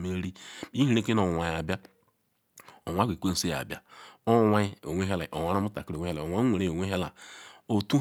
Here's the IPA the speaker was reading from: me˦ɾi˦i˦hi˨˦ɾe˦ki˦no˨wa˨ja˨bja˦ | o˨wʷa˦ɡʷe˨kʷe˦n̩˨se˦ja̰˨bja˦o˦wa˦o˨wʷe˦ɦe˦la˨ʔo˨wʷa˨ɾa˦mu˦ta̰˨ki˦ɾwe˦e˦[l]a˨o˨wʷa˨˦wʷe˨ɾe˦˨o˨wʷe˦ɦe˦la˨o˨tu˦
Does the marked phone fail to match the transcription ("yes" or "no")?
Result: no